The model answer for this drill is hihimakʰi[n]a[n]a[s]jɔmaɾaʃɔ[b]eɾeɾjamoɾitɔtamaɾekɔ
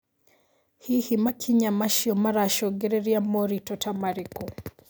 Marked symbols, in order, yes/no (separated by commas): no, no, no, no